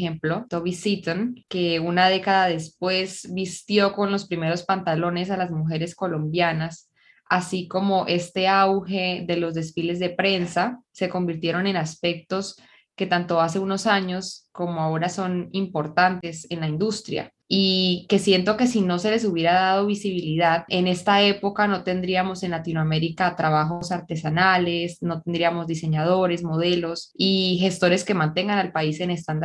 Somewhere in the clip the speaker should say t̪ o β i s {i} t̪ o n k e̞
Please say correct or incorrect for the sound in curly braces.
correct